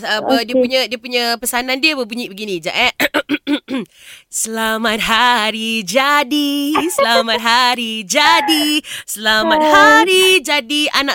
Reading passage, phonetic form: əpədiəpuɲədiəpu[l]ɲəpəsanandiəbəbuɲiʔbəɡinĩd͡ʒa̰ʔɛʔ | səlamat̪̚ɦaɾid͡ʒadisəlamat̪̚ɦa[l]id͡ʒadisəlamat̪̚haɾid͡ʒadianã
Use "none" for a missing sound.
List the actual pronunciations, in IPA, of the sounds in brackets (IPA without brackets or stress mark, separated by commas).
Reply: none, ɾ